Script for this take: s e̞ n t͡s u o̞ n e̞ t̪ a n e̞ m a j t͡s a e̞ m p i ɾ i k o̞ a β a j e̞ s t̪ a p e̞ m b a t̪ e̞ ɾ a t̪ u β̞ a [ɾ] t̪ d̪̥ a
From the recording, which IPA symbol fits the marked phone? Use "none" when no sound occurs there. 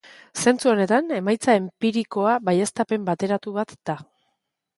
none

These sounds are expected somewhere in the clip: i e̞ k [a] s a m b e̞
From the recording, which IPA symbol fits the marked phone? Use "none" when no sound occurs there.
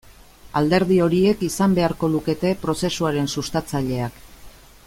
i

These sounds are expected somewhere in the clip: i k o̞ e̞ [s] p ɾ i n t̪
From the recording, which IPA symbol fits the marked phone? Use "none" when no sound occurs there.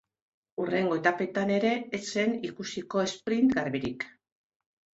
s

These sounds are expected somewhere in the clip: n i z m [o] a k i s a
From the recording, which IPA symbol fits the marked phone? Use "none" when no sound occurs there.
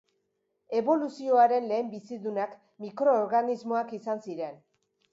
o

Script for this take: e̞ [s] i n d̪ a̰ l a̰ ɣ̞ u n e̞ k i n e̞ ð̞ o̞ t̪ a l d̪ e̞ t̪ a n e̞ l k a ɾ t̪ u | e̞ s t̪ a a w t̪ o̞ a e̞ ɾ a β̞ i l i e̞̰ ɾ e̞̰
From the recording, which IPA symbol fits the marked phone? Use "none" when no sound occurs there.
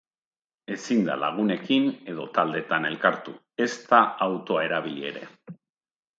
s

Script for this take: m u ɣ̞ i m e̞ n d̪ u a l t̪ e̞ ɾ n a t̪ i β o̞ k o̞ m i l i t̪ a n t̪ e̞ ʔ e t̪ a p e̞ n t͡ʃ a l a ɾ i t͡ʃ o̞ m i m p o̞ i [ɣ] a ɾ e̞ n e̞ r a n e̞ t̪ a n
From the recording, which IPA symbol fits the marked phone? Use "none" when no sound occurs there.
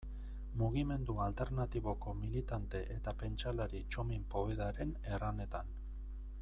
ð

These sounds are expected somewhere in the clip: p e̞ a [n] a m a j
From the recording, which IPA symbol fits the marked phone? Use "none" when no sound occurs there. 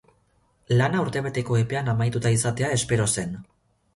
n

